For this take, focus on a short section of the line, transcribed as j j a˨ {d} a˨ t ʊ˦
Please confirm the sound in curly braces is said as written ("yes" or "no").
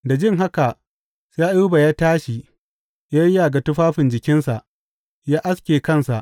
no